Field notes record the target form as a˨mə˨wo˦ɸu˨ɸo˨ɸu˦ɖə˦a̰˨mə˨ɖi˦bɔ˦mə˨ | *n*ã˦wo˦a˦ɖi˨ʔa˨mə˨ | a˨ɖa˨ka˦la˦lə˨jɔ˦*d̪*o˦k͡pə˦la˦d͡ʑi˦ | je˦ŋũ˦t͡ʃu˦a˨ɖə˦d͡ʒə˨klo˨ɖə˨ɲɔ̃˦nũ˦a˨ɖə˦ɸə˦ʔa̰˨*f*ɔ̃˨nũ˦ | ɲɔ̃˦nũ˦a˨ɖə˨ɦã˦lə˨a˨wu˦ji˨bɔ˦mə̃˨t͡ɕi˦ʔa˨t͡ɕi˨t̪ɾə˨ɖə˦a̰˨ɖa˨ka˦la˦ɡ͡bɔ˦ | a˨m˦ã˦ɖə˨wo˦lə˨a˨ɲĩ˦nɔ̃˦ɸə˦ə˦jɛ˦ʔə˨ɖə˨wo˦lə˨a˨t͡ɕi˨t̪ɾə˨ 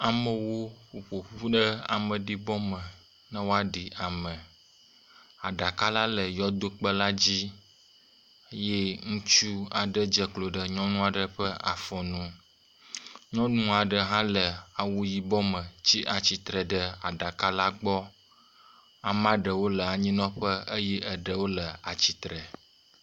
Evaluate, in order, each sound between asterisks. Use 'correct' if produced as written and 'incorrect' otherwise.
correct, correct, correct

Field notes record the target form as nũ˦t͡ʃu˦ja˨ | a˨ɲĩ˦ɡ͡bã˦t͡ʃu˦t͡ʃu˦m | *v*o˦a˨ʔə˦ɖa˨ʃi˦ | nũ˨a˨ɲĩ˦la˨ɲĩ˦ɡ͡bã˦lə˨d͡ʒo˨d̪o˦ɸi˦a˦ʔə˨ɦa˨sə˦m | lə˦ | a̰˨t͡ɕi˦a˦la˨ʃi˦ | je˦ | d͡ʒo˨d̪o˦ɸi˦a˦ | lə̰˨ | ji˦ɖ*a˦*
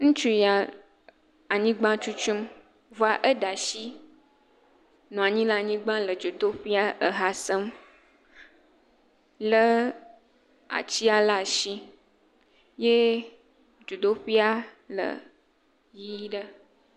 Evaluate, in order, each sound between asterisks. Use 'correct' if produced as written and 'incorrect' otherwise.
correct, incorrect: ə˦

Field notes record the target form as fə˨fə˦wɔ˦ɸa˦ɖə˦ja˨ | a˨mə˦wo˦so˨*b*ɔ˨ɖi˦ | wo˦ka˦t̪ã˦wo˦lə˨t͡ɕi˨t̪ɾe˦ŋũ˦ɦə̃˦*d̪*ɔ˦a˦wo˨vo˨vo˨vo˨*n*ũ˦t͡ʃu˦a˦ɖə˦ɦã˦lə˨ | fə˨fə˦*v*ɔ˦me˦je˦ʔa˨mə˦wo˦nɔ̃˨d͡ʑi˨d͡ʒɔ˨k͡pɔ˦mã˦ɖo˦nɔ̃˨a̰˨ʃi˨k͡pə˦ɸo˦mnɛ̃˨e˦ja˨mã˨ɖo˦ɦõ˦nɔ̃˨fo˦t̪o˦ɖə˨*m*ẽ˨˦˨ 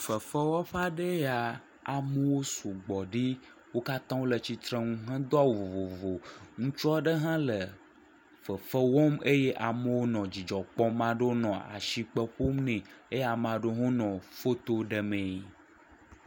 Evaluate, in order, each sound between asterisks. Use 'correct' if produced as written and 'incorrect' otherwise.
incorrect: ɡ͡b, correct, incorrect: ŋ, incorrect: w, correct

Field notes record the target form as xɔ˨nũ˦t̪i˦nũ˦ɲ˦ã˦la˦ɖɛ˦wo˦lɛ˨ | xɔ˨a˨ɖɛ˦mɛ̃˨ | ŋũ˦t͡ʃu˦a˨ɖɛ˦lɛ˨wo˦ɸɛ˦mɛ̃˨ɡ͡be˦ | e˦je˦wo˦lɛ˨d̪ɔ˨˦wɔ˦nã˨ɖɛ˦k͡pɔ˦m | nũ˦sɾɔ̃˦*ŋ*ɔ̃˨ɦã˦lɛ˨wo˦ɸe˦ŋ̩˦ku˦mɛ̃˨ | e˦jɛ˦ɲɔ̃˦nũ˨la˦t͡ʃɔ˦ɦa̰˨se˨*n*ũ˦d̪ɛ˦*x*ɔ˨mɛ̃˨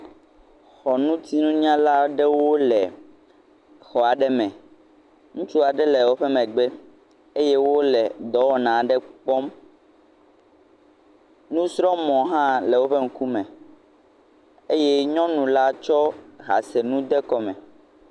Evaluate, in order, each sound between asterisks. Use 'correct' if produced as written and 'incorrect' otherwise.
incorrect: m, correct, incorrect: k

